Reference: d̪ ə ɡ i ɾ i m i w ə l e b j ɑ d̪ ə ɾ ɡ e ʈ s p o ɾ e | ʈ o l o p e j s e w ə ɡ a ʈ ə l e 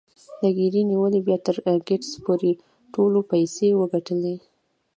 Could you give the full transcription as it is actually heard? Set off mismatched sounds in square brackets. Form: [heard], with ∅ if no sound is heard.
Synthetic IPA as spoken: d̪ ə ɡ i ɾ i [n] i w ə l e b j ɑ [t̪] ə ɾ ɡ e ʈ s p o ɾ e | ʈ o l o p [a] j s e w ə ɡ a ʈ ə l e